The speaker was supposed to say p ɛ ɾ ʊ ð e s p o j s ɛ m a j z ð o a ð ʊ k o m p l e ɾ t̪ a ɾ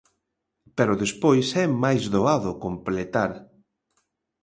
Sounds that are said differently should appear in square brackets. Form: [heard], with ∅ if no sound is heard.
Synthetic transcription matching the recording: p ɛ ɾ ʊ ð e s p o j s ɛ m a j z ð o a ð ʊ k o m p l e [∅] t̪ a ɾ